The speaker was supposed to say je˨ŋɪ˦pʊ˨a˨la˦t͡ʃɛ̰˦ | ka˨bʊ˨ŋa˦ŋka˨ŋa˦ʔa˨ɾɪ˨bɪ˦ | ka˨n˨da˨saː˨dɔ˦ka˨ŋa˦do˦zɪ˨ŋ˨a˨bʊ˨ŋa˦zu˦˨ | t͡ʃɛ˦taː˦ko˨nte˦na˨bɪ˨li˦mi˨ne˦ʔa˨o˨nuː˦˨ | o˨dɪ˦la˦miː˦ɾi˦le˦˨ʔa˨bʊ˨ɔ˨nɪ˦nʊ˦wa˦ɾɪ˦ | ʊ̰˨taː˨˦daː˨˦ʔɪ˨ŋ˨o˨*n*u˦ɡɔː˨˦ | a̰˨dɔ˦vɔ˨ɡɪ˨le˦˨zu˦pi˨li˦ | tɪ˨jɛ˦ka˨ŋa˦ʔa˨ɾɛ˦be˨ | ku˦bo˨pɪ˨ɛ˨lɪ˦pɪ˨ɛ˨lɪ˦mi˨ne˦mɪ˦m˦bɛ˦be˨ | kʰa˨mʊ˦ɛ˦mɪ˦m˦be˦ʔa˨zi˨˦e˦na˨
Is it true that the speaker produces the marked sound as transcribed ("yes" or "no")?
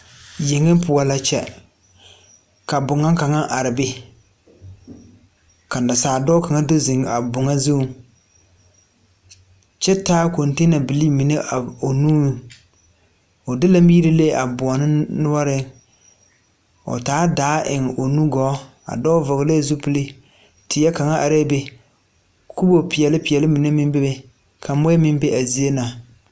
yes